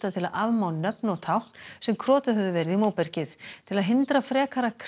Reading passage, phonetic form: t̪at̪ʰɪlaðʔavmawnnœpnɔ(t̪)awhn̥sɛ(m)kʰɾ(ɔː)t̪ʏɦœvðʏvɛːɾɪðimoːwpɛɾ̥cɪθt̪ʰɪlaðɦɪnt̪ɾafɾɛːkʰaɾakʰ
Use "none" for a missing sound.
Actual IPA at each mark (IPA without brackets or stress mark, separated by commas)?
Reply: t̪ʰ, m, ɔː